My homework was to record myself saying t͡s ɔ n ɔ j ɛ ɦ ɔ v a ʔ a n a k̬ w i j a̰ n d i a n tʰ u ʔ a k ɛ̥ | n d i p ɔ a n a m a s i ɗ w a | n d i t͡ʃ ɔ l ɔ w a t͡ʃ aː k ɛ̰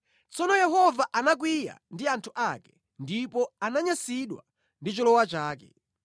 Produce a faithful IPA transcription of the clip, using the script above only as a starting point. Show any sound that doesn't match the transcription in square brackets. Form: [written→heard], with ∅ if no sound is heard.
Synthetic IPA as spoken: t͡s ɔ n ɔ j ɛ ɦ ɔ v a ʔ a n a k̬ w i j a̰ n d i a n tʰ u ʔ a k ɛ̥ | n d i p ɔ a n a [m→ɲ] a s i ɗ w a | n d i t͡ʃ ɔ l ɔ w a t͡ʃ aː k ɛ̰